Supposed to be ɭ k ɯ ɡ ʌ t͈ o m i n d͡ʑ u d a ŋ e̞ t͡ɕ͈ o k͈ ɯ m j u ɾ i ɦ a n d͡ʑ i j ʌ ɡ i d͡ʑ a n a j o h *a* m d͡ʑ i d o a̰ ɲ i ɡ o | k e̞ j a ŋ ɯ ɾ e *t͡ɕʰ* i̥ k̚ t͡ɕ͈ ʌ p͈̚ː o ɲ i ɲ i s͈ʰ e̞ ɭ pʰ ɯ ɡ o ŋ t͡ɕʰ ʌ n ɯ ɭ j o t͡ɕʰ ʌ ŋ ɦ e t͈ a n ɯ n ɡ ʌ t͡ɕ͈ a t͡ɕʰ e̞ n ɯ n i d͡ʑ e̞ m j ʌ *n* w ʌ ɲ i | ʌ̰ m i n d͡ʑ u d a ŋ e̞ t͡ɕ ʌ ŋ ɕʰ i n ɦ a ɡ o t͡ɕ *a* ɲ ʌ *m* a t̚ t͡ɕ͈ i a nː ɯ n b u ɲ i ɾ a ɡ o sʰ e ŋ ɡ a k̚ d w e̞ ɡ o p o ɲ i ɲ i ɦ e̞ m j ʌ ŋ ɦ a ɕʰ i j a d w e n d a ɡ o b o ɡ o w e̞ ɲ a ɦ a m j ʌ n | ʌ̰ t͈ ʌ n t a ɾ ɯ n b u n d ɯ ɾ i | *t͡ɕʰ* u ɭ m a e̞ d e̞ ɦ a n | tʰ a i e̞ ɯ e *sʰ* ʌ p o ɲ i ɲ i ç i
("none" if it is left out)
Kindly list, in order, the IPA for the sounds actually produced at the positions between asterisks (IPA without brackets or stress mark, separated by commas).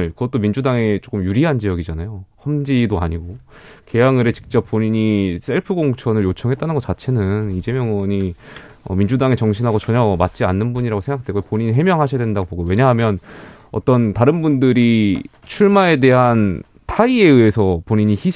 ʌ, t͡ɕ, ŋ, ʌ, m, t͡ɕʰ, sʰ